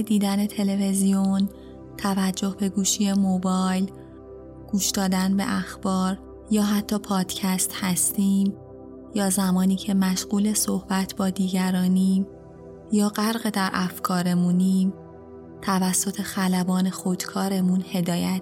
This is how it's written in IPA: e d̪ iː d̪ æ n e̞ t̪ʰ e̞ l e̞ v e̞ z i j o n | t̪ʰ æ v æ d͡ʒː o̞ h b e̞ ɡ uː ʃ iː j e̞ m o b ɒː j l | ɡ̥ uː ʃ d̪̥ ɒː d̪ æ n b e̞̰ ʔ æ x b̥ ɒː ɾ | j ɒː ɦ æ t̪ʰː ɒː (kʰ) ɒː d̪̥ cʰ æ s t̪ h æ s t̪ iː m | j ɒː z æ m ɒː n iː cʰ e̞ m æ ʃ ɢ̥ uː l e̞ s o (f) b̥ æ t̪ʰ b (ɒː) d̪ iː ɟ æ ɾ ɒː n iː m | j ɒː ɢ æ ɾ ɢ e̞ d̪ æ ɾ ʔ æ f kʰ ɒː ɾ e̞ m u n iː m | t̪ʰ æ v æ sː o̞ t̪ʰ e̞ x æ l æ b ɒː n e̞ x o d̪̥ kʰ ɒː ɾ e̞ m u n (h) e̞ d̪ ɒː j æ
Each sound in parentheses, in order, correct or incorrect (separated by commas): incorrect, incorrect, correct, correct